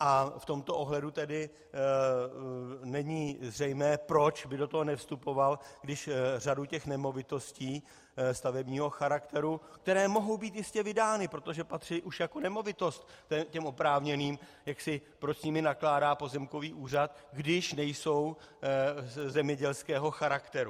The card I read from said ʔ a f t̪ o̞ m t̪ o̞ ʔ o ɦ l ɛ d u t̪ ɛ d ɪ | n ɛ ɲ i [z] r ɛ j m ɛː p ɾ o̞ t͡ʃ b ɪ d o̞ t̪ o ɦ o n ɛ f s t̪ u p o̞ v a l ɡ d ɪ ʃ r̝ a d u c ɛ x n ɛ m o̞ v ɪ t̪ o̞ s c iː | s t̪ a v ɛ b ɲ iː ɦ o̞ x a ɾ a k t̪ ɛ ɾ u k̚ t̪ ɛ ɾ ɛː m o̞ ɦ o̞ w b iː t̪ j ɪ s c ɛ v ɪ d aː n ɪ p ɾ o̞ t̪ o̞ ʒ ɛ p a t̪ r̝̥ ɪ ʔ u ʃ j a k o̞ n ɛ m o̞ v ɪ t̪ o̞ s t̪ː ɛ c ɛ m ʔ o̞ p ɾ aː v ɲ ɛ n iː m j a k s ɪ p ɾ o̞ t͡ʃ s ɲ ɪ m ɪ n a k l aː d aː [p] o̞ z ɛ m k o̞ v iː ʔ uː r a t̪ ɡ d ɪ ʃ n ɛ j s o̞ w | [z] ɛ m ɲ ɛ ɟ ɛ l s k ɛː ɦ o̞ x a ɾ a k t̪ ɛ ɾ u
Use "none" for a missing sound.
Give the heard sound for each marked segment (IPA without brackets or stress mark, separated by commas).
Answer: z, p, z